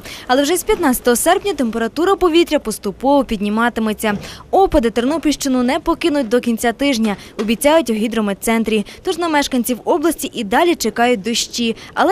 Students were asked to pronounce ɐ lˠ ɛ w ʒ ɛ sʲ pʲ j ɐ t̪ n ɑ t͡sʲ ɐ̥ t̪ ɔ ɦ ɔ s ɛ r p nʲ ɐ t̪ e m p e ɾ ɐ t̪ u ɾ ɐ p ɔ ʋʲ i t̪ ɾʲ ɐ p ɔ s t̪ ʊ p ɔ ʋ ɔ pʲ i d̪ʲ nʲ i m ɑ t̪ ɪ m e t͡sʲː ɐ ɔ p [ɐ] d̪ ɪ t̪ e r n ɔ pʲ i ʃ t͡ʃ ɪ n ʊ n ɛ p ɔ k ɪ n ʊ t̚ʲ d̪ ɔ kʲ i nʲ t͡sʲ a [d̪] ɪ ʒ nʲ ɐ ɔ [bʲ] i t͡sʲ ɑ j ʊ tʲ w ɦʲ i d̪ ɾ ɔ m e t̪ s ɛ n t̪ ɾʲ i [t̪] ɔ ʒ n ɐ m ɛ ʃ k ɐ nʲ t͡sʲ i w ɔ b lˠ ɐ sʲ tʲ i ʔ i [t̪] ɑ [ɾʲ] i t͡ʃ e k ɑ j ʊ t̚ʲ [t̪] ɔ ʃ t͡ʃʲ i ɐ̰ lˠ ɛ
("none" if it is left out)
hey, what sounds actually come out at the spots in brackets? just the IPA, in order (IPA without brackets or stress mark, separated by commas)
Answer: ɐ, t̪, bʲ, t̪, d̪, lʲ, d̪